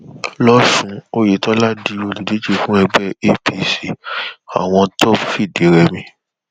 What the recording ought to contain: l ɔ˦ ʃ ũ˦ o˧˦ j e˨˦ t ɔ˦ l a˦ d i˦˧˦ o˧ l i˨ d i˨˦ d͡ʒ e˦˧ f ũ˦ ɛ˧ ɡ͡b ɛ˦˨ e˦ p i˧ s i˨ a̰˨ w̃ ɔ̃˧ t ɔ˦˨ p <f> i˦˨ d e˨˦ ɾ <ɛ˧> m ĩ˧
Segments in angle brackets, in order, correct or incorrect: correct, correct

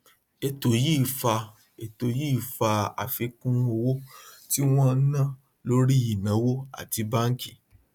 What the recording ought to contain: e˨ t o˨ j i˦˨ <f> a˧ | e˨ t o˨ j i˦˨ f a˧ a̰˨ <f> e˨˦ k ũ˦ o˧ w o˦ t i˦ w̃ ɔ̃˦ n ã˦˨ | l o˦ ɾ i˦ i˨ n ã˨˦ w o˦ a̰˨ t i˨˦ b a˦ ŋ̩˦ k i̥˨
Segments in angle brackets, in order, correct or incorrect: correct, correct

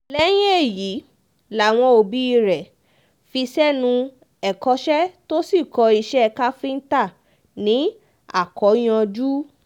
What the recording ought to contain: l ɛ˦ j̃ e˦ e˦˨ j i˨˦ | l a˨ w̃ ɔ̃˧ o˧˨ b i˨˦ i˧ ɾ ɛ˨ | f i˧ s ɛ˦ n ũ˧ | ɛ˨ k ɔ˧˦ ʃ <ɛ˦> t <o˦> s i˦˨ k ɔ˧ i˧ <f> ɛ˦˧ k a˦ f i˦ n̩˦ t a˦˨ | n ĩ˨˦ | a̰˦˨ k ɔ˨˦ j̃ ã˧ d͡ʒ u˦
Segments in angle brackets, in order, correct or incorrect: correct, correct, incorrect

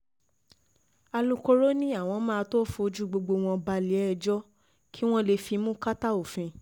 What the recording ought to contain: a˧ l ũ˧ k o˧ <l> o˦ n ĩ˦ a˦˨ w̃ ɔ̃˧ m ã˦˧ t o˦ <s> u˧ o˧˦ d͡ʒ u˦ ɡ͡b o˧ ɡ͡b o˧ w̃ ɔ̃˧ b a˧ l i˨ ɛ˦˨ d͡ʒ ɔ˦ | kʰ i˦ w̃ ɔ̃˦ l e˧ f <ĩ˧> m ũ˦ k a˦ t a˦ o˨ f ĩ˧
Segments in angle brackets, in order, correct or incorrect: incorrect, incorrect, incorrect

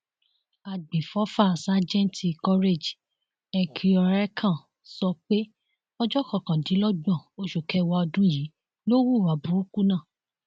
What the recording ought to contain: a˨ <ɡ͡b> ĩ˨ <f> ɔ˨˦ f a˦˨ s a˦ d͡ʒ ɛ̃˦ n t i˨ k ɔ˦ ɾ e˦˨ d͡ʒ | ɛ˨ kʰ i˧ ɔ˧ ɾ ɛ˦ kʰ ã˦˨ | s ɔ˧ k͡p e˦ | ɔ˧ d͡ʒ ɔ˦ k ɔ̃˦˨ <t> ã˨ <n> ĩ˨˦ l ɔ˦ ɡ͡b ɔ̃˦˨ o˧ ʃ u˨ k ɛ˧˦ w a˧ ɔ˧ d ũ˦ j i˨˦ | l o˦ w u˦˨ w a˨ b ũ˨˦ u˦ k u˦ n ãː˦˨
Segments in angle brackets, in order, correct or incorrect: correct, correct, incorrect, incorrect

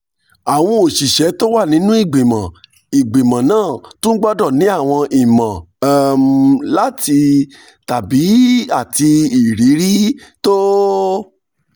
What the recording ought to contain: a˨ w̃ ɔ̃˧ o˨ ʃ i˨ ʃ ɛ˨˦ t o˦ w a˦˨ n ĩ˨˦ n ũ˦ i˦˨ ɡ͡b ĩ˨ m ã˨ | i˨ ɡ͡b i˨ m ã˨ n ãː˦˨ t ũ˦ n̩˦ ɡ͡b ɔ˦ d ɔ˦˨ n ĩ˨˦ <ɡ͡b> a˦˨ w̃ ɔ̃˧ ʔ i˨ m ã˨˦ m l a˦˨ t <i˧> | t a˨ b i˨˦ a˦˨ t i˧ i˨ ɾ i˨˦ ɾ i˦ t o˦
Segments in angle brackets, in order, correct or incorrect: incorrect, correct

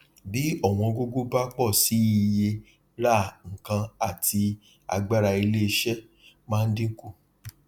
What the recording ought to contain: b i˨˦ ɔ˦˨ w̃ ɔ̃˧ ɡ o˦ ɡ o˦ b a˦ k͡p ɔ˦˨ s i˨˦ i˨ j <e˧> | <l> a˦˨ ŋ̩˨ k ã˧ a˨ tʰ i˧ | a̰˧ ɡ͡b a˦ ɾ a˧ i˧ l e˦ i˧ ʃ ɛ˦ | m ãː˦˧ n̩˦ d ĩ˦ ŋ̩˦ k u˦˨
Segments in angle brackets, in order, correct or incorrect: correct, incorrect

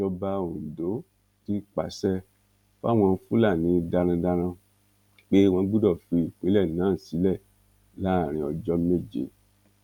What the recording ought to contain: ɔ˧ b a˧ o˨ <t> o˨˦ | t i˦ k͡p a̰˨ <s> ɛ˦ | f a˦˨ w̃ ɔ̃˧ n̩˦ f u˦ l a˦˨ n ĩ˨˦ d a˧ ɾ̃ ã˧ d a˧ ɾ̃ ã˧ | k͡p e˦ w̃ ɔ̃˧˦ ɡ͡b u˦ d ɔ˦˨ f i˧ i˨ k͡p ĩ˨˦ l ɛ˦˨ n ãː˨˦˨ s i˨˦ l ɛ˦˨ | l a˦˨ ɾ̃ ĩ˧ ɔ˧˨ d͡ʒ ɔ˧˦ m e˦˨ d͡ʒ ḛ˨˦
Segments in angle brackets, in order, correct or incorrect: incorrect, correct

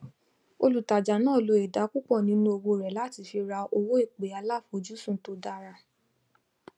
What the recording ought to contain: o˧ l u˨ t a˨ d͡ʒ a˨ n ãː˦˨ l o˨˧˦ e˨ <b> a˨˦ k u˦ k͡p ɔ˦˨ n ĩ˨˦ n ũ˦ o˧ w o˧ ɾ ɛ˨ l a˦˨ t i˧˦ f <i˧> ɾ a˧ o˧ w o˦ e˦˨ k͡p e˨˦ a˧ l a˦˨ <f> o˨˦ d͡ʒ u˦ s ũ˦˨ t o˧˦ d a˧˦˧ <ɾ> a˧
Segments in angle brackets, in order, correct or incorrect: incorrect, correct, correct, correct

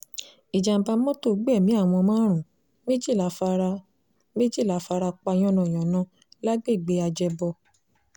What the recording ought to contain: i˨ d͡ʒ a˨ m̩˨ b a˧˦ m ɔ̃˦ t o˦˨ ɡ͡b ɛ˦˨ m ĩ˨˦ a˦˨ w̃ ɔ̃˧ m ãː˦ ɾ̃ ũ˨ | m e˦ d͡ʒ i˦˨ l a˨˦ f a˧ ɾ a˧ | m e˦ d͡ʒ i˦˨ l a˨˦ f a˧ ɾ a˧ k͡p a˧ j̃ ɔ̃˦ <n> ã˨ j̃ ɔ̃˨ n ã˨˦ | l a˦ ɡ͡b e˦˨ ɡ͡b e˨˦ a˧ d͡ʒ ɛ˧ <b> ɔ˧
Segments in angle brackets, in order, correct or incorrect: correct, correct

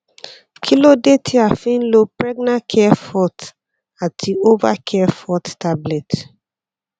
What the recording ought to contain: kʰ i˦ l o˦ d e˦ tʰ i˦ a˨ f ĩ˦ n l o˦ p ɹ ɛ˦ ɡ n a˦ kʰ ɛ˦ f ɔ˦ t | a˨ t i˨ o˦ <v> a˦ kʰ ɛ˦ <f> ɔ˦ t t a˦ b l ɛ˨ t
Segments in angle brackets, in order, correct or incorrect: correct, correct

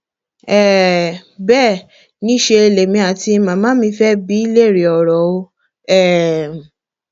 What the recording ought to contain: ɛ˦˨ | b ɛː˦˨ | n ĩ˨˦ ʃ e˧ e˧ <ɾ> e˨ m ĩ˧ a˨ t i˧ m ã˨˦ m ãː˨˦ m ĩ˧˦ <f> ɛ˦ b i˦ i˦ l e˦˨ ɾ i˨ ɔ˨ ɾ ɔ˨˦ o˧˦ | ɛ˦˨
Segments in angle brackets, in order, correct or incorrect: incorrect, correct

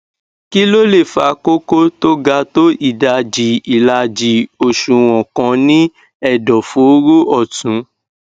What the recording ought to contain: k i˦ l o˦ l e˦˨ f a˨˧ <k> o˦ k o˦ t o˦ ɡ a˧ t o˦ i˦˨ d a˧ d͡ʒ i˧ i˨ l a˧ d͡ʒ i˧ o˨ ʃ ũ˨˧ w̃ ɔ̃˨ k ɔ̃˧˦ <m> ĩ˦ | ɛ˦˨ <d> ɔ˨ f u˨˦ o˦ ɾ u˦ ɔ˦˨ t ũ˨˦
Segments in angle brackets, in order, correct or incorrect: correct, incorrect, correct

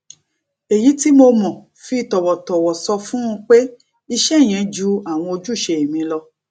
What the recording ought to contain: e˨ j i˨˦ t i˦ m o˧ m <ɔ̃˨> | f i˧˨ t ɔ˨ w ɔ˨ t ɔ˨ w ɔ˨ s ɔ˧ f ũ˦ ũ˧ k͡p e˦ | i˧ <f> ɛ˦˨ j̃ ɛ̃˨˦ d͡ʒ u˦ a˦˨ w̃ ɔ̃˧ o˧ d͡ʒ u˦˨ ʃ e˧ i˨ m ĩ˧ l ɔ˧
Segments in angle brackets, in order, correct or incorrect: correct, incorrect

